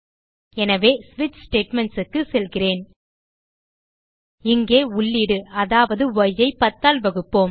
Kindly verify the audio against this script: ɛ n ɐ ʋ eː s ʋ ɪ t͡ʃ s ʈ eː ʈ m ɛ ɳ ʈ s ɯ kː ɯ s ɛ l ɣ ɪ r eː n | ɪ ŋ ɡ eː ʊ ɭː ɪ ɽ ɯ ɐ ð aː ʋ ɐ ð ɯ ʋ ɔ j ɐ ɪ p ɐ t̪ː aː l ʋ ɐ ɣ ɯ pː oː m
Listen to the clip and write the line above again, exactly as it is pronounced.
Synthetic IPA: ɛ n ɐ ʋ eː s ʋ ɪ t͡ʃ s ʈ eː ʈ m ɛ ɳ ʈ s ɯ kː ɯ s ɛ l ɣ ɪ r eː n | ɪ ŋ ɡ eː ʊ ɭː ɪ ɽ ɯ ɐ ð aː ʋ ɐ ð ɯ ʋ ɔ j ɐ ɪ p ɐ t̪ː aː l ʋ ɐ ɣ ɯ pː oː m

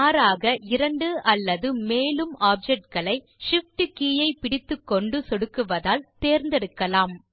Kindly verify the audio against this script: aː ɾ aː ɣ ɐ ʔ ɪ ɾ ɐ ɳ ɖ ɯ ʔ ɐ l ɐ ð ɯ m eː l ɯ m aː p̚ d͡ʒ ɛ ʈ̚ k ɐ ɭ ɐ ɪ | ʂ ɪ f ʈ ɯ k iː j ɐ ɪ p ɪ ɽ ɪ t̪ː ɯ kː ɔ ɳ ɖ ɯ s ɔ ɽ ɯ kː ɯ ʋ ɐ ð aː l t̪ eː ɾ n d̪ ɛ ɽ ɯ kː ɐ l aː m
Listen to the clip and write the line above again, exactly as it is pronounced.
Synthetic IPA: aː ɾ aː ɣ ɐ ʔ ɪ ɾ ɐ ɳ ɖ ɯ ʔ ɐ lː ɐ ð ɯ m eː l ɯ m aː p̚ d͡ʒ ɛ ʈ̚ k ɐ ɭ ɐ ɪ | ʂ ɪ f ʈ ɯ k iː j ɐ ɪ p ɪ ɽ ɪ t̪ː ɯ kː ɔ ɳ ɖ ɯ s ɔ ɽ ɯ kː ɯ ʋ ɐ ð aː l t̪ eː ɾ n d̪ ɛ ɽ ɯ kː ɐ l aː m

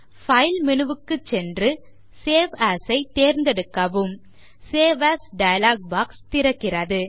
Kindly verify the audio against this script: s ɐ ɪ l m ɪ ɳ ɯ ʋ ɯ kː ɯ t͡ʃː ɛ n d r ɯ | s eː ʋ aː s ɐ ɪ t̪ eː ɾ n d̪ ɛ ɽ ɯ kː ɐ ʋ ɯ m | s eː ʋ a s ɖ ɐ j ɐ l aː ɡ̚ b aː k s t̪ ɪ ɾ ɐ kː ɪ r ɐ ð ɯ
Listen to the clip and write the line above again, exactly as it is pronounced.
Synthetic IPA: f ɐ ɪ l m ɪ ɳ ɯ ʋ ɯ kː ɯ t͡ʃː ɛ n d r ɯ | s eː ʋ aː s ɐ ɪ t̪ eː ɾ n d̪ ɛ ɽ ɯ kː ɐ ʋ ɯ m | s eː ʋ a s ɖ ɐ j ɐ l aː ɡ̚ b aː k s t̪ ɪ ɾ ɐ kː ɪ r ɐ ð ɯ

